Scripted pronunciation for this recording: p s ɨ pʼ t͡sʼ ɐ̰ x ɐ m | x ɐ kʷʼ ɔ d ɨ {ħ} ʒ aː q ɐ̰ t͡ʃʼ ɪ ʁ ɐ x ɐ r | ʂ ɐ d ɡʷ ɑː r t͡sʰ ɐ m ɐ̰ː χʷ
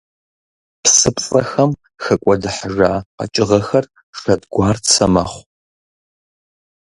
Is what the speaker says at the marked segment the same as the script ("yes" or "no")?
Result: yes